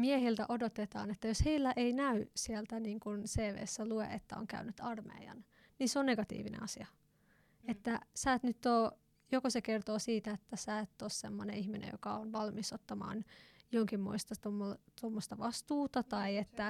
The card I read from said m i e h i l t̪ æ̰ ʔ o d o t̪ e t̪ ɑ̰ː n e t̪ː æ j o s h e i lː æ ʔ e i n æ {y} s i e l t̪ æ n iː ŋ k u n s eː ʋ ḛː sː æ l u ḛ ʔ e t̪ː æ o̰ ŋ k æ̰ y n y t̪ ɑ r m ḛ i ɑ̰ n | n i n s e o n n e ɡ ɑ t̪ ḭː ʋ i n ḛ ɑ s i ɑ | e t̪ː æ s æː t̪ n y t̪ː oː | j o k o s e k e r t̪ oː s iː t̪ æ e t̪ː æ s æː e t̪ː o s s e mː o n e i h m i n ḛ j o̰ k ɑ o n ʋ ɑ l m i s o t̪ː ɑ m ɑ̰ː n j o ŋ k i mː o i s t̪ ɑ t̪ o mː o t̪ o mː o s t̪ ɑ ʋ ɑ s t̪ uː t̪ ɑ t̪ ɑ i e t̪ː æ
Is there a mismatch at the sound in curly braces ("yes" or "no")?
no